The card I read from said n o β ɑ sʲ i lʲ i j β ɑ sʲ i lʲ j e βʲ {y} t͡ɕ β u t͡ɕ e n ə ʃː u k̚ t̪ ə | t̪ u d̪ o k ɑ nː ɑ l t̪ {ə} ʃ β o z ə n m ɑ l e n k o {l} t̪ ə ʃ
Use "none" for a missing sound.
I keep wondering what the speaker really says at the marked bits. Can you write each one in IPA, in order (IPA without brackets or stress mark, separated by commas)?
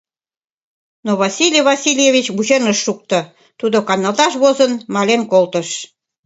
i, ɑ, l